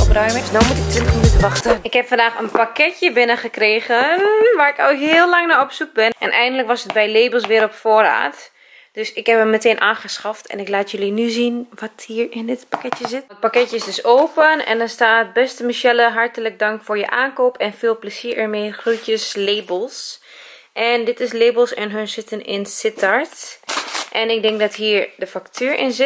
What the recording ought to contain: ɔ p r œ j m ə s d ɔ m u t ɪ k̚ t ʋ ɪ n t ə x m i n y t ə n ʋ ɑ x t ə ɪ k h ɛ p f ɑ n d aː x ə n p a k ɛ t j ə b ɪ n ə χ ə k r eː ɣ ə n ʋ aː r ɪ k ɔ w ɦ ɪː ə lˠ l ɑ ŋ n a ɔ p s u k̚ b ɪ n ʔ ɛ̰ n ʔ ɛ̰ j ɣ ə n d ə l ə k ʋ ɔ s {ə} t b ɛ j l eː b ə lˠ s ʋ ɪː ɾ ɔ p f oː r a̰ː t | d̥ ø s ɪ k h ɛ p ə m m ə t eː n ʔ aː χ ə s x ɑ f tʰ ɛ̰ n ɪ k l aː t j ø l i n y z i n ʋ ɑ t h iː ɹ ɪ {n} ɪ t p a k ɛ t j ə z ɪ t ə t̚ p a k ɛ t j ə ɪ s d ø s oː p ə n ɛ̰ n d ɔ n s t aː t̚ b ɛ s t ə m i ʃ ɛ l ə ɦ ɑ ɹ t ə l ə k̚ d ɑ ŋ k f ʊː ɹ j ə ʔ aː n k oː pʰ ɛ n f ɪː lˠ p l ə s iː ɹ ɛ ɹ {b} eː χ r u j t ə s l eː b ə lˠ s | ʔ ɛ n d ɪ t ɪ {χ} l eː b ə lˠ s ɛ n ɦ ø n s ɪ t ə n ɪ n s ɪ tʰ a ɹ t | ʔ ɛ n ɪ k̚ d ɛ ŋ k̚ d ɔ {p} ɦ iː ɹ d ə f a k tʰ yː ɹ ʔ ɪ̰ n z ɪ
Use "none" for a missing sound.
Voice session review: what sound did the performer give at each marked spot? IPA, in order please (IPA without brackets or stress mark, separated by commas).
ə, n, m, s, t